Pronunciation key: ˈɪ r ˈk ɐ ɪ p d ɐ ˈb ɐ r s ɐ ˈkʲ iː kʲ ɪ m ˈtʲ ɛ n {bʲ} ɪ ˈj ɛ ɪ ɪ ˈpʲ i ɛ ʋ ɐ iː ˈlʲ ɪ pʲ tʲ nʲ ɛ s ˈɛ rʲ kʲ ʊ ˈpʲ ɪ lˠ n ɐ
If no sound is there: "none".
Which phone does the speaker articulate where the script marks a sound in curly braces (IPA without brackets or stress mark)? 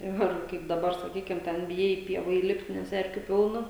bʲ